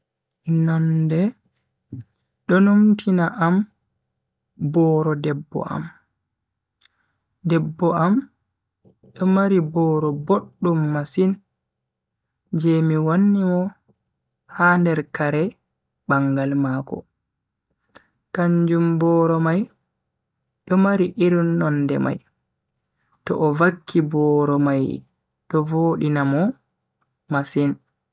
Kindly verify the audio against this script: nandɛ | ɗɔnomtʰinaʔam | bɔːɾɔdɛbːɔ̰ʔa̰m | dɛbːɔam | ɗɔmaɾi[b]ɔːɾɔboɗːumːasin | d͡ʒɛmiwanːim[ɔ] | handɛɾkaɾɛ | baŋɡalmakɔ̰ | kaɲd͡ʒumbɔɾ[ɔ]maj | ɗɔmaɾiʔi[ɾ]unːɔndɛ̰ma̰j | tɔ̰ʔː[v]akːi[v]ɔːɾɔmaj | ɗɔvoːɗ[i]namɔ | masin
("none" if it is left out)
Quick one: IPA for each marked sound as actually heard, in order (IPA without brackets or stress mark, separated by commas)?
b, ɔ, ɔ, ɾ, v, b, i